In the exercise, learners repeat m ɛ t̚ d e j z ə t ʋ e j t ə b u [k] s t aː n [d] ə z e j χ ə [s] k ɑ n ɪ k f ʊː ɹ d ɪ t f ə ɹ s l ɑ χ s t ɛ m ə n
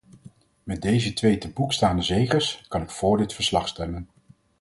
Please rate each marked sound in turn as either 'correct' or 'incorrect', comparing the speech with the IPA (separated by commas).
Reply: correct, correct, correct